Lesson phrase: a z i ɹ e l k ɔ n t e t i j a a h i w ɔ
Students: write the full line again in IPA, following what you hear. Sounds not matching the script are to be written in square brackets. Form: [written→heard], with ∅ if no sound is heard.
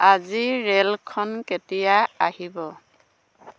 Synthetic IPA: a z i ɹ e l [k→kʰ] ɔ n [t→k] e t i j a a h i [w→b] ɔ